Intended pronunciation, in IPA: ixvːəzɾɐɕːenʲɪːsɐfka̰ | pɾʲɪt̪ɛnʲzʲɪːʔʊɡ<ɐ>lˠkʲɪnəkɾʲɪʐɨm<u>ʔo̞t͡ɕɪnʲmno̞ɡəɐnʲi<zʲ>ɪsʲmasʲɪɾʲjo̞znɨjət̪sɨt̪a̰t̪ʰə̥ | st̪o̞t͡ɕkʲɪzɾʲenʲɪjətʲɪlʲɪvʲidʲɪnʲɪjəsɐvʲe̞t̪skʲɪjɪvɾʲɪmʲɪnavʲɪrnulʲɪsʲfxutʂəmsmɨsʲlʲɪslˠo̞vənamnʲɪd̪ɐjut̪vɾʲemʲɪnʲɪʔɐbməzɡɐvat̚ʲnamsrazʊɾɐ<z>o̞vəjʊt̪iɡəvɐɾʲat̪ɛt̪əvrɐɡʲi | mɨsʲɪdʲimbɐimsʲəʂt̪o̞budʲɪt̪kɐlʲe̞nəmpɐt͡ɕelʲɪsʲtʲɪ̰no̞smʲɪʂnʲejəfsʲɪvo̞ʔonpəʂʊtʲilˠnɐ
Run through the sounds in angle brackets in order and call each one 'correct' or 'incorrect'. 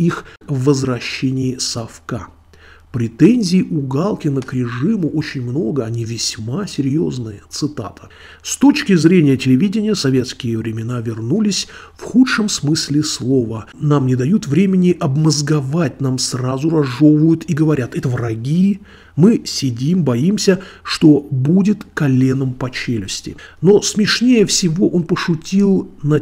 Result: incorrect, incorrect, incorrect, incorrect

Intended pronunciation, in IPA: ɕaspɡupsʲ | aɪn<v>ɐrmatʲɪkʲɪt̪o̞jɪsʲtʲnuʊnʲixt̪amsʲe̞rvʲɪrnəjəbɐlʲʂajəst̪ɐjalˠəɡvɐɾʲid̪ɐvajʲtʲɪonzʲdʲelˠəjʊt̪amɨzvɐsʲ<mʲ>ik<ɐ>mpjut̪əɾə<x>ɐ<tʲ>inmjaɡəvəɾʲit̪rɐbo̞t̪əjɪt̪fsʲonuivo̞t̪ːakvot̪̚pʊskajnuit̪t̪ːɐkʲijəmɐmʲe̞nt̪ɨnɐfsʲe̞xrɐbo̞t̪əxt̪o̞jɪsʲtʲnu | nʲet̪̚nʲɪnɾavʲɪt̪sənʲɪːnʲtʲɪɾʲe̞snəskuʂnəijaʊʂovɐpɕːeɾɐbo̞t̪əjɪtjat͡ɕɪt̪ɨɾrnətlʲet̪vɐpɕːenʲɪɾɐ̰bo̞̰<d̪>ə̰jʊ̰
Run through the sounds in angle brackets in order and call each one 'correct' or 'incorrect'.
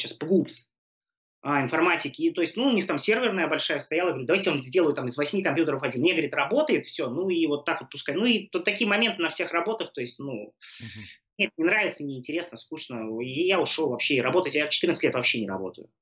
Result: incorrect, correct, correct, incorrect, incorrect, incorrect

